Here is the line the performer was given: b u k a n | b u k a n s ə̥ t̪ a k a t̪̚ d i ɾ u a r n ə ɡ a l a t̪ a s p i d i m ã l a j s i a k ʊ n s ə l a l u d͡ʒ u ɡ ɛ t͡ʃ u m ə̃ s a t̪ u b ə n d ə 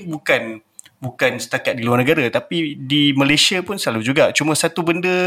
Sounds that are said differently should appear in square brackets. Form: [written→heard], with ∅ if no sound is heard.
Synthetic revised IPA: b u k a n | b u k a n s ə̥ t̪ a k a t̪̚ d i [ɾ→l] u a r n ə ɡ a [l→ɾ] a t̪ a [s→∅] p i d i m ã l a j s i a [k→p] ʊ n s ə l a l u d͡ʒ u ɡ [ɛ→a] t͡ʃ u m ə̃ s a t̪ u b ə n d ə